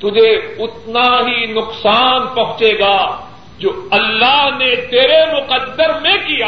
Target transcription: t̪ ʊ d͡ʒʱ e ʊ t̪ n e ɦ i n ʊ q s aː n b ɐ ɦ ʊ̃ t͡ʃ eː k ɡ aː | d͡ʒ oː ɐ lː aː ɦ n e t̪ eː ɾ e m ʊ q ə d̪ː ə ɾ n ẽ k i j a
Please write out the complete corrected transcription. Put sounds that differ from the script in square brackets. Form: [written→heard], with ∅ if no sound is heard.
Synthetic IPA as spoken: t̪ ʊ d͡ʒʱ e ʊ t̪ n [e→a] ɦ i n ʊ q s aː n [b→p] ɐ ɦ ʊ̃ t͡ʃ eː [k→∅] ɡ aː | d͡ʒ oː ɐ lː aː ɦ n e t̪ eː ɾ e m ʊ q ə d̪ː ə ɾ [n→m] ẽ k i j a